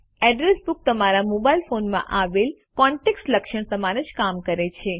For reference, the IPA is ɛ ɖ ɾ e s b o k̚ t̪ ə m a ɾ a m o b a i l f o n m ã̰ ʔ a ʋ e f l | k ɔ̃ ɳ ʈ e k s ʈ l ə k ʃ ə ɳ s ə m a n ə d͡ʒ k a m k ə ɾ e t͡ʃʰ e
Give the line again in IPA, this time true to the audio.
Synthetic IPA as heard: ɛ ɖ ɾ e s b u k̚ t̪ ə m a ɾ a m o b a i l f o n m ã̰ ʔ a ʋ e l | k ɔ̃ ɳ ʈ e k s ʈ l ə k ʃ ə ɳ s ə m a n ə d͡ʒ k a m k ə ɾ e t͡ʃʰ e